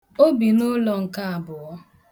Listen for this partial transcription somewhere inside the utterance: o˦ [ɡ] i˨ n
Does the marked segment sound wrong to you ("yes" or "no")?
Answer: yes